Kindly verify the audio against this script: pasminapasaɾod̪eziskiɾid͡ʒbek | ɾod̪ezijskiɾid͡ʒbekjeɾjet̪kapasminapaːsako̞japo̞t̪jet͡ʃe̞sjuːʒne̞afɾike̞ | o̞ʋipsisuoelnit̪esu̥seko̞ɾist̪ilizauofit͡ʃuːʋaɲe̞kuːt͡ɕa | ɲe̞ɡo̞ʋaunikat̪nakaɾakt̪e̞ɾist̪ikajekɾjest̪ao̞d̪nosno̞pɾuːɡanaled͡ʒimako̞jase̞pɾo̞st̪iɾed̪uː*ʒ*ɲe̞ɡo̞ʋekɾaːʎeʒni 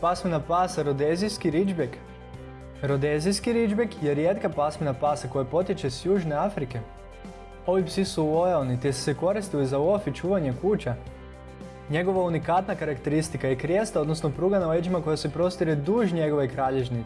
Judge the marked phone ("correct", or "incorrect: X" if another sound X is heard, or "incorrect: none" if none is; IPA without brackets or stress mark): correct